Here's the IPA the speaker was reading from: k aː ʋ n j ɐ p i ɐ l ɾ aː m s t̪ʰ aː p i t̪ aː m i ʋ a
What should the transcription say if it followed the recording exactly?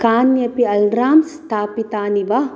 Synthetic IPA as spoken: k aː n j ɐ p i ɐ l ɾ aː m s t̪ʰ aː p i t̪ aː n i ʋ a

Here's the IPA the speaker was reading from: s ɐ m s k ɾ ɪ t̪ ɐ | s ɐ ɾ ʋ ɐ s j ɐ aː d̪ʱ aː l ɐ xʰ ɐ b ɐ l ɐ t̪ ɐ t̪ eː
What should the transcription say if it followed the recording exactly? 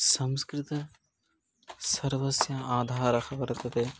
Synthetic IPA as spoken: s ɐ m s k ɾ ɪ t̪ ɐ | s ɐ ɾ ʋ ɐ s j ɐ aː d̪ʱ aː ɾ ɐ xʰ ɐ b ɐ ɾ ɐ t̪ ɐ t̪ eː

